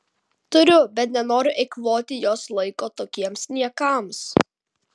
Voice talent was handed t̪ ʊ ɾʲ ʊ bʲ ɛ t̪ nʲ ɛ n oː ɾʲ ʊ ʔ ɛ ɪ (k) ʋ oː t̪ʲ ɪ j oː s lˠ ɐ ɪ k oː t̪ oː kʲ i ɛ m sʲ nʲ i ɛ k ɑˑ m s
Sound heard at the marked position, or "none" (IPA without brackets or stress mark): k